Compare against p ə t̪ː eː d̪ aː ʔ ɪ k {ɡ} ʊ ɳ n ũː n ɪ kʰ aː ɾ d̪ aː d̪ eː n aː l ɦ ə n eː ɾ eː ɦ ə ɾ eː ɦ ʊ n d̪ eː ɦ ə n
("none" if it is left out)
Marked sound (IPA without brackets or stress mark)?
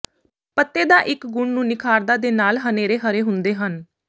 ɡ